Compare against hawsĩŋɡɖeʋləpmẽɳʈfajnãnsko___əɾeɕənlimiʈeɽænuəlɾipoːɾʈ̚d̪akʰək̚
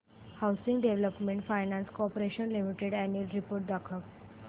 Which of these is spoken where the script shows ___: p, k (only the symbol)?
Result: p